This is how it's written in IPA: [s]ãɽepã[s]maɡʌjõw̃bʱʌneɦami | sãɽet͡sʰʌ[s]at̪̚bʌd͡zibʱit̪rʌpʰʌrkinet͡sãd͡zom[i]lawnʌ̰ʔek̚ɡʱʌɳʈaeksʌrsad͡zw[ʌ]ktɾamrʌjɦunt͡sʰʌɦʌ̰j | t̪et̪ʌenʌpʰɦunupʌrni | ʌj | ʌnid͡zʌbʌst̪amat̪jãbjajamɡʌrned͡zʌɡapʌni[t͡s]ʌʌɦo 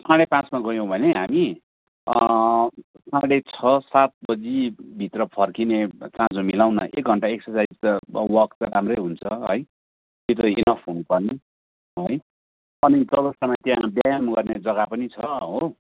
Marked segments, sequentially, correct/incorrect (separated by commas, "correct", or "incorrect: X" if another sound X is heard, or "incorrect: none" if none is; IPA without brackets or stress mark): correct, incorrect: t͡s, correct, correct, correct, incorrect: t͡sʰ